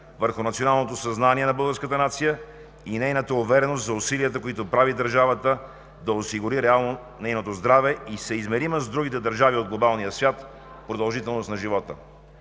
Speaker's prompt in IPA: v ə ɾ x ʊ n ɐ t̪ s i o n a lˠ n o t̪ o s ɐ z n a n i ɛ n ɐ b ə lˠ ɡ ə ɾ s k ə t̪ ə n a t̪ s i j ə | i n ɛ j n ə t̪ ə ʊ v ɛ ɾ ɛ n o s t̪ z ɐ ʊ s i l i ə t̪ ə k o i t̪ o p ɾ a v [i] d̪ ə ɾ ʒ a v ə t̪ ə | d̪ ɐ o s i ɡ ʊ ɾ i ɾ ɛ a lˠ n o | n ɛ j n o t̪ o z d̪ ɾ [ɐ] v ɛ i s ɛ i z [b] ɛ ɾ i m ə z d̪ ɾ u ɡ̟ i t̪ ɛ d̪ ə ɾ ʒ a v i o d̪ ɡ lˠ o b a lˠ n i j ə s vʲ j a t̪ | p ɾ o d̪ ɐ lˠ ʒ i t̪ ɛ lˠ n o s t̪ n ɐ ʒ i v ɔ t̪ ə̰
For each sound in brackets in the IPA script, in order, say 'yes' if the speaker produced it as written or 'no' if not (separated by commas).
yes, no, no